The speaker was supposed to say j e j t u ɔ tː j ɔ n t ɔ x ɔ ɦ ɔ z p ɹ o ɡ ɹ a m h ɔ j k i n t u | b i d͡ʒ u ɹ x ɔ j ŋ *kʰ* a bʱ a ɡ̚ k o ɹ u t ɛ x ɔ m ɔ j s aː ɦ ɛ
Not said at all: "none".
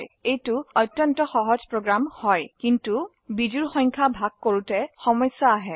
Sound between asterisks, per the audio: kʰ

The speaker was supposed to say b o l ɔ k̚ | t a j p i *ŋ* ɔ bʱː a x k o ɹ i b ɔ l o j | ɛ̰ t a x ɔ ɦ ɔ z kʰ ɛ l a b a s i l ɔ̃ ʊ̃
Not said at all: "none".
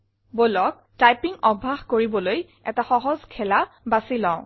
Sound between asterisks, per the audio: ŋ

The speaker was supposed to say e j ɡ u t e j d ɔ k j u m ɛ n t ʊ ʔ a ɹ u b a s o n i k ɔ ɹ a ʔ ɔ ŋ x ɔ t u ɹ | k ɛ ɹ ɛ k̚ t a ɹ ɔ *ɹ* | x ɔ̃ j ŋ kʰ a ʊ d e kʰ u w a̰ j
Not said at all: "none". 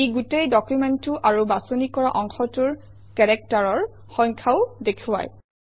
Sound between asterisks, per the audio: ɹ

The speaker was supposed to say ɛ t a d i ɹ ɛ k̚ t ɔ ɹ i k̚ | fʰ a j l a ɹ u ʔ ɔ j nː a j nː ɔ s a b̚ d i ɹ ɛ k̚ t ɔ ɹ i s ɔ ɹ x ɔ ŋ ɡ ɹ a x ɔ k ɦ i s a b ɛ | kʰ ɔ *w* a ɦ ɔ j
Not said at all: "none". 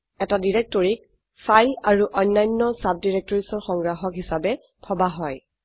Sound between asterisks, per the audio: b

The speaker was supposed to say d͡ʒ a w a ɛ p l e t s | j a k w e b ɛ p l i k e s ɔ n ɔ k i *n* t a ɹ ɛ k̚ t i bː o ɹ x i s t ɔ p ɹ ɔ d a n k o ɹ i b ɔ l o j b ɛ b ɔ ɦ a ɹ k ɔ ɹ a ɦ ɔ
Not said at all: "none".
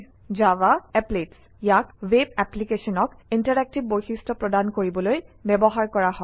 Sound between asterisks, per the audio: n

